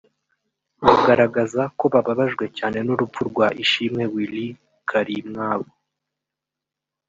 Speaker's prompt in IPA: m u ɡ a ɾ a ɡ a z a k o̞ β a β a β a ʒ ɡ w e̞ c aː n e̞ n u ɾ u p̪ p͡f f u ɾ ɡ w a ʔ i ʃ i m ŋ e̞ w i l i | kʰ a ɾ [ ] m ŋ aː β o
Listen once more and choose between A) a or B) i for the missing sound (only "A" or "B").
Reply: B